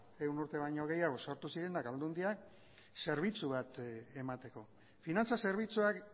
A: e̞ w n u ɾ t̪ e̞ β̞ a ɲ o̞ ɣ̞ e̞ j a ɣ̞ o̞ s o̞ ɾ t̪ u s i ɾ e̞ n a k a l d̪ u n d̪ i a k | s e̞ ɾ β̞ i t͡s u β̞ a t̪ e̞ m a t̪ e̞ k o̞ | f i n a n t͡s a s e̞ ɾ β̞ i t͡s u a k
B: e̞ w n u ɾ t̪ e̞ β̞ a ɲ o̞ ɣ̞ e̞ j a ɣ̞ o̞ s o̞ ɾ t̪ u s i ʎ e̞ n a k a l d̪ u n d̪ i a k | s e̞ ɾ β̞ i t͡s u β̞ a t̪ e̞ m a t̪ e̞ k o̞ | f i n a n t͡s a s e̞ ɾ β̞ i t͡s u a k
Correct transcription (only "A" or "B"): A